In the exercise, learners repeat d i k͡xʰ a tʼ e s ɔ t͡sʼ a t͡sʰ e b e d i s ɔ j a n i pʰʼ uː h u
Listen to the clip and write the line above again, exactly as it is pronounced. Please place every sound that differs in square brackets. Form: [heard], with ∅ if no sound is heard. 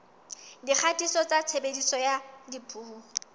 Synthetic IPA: d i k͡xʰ a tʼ [i] s ɔ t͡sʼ a t͡sʰ e b e d i s ɔ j a [d] i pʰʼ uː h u